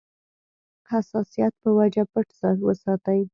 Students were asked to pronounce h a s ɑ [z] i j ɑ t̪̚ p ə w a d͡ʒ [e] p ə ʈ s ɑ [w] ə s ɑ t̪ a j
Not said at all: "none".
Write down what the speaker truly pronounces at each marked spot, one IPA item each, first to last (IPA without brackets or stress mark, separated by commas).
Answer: s, a, w